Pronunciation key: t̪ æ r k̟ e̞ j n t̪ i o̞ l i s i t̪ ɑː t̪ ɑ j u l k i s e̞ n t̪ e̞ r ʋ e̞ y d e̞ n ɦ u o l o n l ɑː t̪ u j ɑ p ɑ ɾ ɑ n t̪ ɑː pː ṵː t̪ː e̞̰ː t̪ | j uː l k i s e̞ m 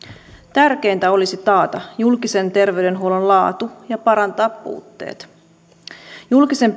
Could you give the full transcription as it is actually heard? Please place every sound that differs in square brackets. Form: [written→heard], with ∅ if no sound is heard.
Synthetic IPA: t̪ æ r k̟ e̞ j n t̪ [i→æ] o̞ l i s i t̪ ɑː t̪ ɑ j u l k i s e̞ n t̪ e̞ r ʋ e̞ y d e̞ n ɦ u o l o n l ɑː t̪ u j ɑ p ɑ ɾ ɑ n t̪ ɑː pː ṵː t̪ː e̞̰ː t̪ | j [uː→u] l k i s e̞ m